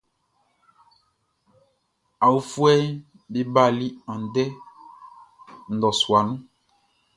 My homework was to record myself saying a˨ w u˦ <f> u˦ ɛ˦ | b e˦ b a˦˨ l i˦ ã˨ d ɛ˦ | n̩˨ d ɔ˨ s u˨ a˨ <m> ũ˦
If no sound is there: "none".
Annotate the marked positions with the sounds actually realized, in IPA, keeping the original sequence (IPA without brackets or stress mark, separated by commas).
f, n